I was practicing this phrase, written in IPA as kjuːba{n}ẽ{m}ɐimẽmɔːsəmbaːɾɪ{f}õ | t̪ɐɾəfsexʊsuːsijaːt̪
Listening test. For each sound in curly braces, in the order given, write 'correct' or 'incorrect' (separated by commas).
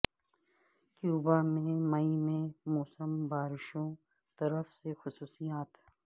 incorrect, correct, incorrect